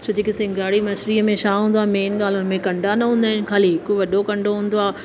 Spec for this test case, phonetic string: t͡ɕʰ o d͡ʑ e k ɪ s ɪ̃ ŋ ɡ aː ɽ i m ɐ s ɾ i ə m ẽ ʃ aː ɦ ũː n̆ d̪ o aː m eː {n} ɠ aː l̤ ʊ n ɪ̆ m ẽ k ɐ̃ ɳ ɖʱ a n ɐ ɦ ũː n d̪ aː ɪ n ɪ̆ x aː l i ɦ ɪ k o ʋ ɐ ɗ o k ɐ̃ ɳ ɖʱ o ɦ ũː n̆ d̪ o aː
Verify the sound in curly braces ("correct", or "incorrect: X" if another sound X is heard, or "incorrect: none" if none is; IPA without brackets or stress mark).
correct